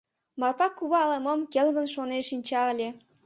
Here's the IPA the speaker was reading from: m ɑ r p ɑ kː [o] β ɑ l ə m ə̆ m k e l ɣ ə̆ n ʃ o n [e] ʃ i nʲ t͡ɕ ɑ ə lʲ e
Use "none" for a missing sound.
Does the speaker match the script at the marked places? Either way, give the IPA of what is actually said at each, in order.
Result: u, e

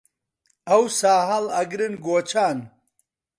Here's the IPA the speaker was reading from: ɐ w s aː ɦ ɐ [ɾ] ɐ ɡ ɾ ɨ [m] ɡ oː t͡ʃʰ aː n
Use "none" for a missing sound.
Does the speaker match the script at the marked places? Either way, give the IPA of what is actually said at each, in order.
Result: l, n

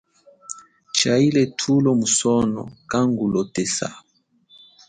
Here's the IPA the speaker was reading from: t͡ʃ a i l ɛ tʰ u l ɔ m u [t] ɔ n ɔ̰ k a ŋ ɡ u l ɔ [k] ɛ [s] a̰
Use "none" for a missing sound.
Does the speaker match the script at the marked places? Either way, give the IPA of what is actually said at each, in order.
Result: s, t, s

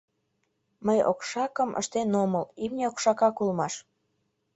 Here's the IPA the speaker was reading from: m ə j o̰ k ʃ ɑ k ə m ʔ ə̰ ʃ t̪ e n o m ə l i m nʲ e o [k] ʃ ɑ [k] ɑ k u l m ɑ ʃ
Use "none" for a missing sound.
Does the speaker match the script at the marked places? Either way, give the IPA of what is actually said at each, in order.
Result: k, k

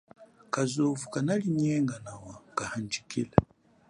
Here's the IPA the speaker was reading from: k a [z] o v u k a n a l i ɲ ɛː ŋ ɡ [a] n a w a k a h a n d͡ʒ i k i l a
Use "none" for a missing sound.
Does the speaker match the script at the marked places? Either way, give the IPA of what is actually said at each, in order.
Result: z, a

